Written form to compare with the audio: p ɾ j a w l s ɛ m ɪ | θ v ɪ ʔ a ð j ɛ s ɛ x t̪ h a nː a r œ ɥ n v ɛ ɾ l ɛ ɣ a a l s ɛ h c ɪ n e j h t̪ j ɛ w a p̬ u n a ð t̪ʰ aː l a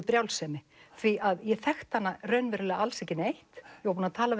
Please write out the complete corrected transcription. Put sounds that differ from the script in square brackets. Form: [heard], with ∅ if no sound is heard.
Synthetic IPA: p ɾ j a w l s ɛ m ɪ | θ v [i] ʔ a ð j ɛ [θ] ɛ x t̪ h a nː a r œ ɥ n v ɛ ɾ l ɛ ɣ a a l s ɛ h c ɪ n e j h t̪ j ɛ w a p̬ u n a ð t̪ʰ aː l a